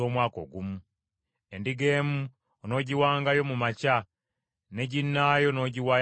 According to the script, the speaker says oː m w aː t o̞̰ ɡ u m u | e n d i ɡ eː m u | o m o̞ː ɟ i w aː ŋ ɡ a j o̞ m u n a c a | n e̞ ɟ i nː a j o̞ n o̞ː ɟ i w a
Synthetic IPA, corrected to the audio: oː m w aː k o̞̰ ɡ u m u | e n d i ɡ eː m u | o n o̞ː ɟ i w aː ŋ ɡ a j o̞ m u m a c a | n e̞ ɟ i nː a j o̞ n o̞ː ɟ i w a